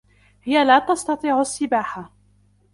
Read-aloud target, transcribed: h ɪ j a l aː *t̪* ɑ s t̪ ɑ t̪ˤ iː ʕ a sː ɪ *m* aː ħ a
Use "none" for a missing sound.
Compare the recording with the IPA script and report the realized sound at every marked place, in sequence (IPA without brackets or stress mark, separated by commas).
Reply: t̪, b